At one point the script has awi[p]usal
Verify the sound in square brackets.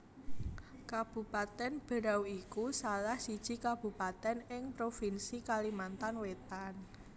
incorrect: k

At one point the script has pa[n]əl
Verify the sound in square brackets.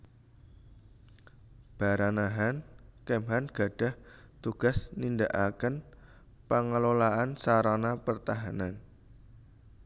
incorrect: ŋ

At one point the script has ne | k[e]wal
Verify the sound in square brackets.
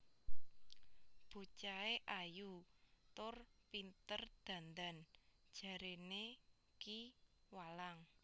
incorrect: i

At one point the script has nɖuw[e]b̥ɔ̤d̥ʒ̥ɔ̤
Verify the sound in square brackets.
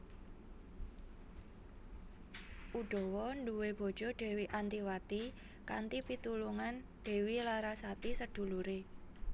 correct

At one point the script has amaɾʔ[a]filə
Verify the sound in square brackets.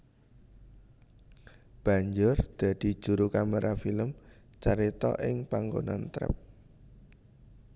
correct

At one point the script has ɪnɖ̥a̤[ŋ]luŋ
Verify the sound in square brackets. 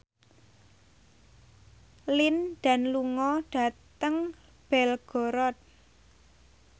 incorrect: n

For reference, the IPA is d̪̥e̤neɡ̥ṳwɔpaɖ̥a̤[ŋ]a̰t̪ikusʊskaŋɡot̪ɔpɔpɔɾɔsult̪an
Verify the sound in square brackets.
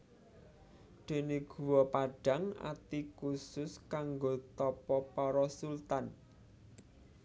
correct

